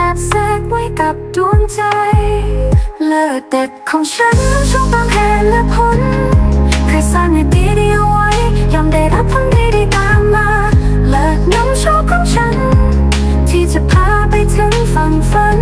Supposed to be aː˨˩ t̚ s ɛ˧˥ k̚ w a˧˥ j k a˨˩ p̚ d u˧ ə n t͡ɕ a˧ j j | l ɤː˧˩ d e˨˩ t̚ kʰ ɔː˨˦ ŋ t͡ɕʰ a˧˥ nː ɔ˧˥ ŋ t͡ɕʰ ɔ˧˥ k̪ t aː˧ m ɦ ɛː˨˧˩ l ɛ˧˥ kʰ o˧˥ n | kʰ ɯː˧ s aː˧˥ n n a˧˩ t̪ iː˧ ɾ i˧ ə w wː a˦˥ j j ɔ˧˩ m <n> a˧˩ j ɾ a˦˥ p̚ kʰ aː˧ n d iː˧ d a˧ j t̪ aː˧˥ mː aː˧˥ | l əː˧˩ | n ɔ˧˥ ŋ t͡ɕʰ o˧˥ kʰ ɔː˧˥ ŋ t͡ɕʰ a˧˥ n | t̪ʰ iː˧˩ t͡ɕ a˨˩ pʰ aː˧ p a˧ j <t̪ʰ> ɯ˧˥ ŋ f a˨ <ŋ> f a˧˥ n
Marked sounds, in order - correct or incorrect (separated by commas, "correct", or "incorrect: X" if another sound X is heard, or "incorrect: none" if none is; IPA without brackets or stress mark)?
incorrect: d, correct, correct